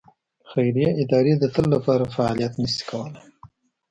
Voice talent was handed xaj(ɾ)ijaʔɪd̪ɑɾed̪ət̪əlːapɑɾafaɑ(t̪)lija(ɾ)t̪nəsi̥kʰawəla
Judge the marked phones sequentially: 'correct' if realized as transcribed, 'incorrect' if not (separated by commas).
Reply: correct, incorrect, incorrect